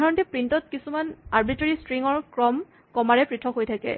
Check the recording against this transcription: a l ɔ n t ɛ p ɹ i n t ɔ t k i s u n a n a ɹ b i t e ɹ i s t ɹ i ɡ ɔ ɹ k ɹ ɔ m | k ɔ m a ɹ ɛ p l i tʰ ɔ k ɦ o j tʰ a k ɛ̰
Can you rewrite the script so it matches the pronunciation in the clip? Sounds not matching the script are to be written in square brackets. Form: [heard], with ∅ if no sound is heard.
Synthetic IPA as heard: a [ɹ] ɔ n t ɛ p ɹ i n t ɔ t k i s u [m] a n a ɹ b i t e ɹ i s t ɹ i [ŋ] ɔ ɹ k ɹ ɔ m | k ɔ m a ɹ ɛ p [ɹ] i tʰ ɔ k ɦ o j tʰ a k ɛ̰